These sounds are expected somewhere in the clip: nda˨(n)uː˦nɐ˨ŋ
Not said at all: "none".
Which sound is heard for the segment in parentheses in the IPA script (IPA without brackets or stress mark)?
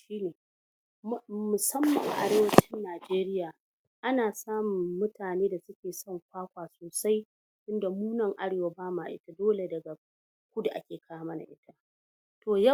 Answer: m